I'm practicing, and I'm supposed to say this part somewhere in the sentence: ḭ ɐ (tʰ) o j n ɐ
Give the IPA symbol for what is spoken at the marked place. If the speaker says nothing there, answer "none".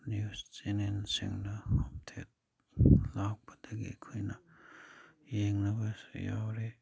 kʰ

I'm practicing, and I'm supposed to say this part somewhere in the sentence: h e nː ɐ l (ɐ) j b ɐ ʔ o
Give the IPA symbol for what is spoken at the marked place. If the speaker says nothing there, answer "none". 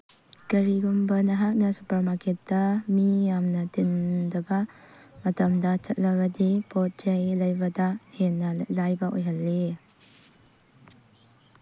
a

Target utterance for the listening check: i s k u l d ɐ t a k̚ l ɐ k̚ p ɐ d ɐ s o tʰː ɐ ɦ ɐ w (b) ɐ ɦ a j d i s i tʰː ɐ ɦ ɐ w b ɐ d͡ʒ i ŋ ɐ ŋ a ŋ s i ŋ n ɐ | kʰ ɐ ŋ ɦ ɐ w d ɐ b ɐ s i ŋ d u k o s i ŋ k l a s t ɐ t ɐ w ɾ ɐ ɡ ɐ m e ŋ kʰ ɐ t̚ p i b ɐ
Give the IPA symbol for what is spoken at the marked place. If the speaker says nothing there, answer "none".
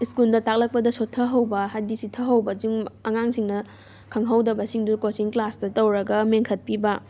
b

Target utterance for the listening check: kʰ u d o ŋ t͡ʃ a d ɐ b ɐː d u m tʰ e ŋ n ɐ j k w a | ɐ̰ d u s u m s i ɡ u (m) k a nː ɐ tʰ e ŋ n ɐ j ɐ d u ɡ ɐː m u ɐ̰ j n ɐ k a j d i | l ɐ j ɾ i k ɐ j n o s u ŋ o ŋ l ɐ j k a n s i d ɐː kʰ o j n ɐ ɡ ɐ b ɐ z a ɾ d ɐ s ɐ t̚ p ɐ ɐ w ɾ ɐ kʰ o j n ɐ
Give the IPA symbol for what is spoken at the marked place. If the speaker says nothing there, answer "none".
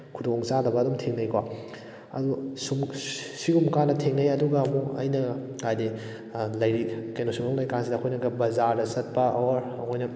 m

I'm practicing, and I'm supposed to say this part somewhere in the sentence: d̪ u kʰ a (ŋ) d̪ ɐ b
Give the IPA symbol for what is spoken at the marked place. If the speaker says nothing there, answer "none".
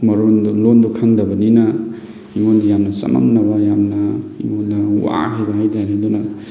ŋ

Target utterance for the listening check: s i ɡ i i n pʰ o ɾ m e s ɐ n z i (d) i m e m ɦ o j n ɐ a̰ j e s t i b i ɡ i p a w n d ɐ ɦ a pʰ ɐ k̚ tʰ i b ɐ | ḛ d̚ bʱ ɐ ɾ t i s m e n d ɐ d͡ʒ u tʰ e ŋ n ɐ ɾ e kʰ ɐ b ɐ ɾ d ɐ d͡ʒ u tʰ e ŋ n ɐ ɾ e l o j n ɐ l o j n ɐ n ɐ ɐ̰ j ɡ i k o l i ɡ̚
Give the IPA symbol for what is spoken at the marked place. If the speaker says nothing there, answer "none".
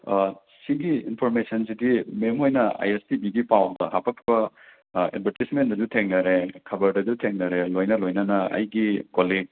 d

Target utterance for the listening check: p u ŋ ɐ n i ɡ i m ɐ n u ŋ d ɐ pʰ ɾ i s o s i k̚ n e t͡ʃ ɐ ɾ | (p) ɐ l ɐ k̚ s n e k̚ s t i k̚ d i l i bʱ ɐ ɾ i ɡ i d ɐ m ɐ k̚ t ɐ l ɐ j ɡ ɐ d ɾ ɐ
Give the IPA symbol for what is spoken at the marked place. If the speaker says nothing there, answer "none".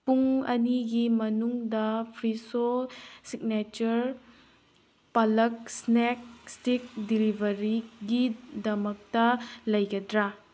p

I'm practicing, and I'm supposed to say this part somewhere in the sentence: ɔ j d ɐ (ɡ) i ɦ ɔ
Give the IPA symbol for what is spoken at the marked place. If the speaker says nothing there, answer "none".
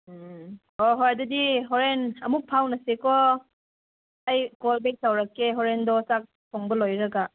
d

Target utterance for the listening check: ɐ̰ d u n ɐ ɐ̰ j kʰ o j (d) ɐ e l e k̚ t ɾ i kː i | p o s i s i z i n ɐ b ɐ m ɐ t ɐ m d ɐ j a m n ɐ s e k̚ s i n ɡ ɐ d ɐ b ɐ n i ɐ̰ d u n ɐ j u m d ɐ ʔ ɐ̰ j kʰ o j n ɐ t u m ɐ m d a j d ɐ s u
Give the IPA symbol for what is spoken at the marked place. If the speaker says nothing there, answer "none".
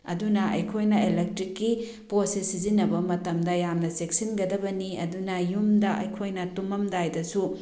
n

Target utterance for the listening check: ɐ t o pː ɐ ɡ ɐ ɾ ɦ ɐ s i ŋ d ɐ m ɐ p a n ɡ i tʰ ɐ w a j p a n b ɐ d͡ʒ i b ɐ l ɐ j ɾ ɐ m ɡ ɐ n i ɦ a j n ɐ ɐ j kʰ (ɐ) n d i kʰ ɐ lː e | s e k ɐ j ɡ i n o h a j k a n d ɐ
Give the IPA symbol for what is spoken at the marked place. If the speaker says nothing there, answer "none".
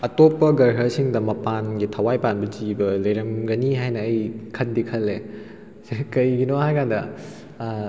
ɐ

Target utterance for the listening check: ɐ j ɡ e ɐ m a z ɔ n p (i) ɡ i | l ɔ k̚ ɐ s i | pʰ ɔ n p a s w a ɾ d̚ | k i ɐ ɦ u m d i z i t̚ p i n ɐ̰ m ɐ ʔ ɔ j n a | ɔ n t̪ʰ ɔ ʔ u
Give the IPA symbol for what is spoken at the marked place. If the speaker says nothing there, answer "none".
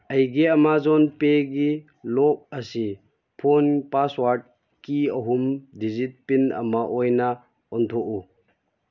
e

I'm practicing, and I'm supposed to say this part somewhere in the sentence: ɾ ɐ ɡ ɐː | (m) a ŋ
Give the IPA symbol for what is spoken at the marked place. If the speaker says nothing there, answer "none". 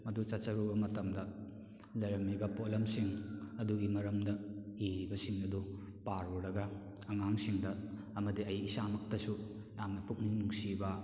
ŋ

